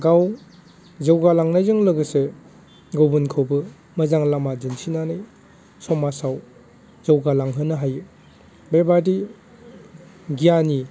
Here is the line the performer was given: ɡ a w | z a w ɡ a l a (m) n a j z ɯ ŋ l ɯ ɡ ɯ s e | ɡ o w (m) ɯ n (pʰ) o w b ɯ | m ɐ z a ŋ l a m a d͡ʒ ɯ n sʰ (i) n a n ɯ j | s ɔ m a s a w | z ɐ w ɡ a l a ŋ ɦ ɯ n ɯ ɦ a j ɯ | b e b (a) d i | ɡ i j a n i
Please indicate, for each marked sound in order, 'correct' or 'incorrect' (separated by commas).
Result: incorrect, incorrect, incorrect, correct, correct